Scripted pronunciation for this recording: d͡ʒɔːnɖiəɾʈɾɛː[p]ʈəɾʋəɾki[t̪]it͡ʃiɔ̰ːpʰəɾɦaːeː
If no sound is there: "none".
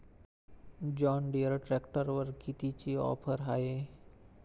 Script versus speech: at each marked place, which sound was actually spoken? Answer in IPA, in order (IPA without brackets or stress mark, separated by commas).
k, t̪